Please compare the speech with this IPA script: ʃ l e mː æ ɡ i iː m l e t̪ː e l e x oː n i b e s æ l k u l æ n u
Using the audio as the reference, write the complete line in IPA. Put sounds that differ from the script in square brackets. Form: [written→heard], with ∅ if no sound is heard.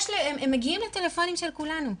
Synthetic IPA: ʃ l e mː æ ɡ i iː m l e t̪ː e l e [x→f] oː n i [b→m] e [s→ʃ] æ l k u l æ n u